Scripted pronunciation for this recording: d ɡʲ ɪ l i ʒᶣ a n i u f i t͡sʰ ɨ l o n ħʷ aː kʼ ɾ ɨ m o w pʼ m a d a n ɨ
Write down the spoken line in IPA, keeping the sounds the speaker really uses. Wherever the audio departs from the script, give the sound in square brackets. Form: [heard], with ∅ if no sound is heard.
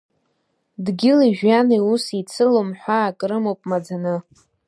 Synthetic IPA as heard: d ɡʲ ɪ l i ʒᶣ a n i u [s] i t͡sʰ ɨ l o [m] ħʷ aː kʼ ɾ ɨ m o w pʼ m a [d͡z] a n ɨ